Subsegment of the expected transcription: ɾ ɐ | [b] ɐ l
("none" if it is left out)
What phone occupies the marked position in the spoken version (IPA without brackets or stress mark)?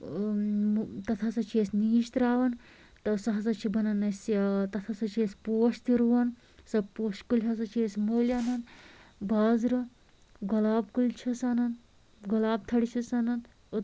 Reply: ɡ